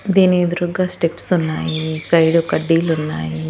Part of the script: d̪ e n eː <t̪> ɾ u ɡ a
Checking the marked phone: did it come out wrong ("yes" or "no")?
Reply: yes